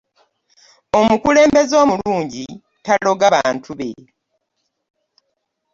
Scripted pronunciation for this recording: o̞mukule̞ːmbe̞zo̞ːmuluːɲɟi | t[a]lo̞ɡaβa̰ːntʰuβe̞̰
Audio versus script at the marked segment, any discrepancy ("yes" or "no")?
no